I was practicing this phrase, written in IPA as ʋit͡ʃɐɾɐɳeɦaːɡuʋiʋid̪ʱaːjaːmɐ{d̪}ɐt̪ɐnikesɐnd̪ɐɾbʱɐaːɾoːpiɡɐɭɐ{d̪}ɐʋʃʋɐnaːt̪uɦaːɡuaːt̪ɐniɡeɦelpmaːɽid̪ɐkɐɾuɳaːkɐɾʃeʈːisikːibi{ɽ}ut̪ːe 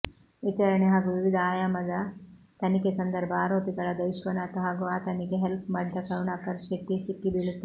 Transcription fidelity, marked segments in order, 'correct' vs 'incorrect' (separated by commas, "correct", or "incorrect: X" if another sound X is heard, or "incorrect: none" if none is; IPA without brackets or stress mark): correct, correct, incorrect: ɭ